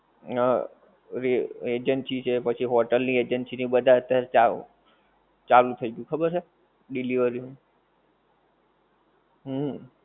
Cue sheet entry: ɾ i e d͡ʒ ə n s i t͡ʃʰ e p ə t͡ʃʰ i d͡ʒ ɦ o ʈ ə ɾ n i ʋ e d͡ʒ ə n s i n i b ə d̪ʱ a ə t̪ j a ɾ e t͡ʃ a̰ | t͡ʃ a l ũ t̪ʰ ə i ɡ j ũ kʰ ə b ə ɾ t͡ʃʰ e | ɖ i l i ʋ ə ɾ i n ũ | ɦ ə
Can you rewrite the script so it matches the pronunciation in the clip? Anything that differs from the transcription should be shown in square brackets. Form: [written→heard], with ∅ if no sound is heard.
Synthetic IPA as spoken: ɾ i e d͡ʒ ə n s i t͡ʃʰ e p ə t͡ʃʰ i [d͡ʒ→∅] ɦ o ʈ ə [ɾ→l] n i [ʋ→∅] e d͡ʒ ə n s i n i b ə d̪ʱ a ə t̪ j a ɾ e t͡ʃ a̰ | t͡ʃ a l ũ t̪ʰ ə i ɡ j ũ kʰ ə b ə ɾ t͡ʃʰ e | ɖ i l i ʋ ə ɾ i n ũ | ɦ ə